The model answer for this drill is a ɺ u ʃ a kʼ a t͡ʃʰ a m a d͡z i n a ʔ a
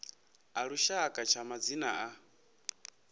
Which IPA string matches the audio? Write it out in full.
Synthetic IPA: a ɺ u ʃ a kʼ a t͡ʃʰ a m a d͡z i n a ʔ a